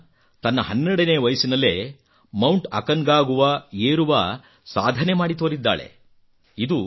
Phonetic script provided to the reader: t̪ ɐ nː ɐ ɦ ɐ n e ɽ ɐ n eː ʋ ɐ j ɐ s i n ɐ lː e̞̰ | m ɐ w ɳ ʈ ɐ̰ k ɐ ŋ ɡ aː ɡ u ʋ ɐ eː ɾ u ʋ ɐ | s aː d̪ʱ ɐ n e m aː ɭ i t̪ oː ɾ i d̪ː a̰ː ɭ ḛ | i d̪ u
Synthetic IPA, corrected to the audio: t̪ ɐ nː ɐ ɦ ɐ nː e ɽ ɐ n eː ʋ ɐ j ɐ s i n ɐ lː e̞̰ | m ɐ w ɳ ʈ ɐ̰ k ɐ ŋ ɡ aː ɡ u ʋ ɐ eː ɾ u ʋ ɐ | s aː d̪ʱ ɐ n e m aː ɽ i t̪ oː ɾ i d̪ː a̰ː ɭ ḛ | i d̪ u